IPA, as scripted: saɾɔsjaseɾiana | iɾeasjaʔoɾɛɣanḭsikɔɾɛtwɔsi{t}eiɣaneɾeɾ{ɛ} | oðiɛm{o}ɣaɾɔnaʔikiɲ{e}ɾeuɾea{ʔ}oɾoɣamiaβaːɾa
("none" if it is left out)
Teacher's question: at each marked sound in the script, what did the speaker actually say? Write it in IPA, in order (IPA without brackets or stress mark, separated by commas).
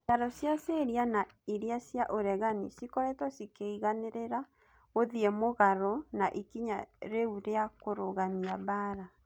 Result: k, a, o, a, k